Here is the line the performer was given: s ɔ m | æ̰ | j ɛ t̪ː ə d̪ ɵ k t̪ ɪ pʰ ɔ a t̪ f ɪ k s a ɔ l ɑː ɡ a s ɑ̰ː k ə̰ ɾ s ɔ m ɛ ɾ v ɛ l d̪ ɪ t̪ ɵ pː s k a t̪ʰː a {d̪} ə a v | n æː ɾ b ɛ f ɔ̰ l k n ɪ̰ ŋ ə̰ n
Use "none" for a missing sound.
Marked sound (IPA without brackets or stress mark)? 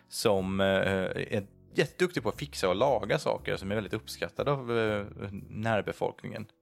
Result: d̪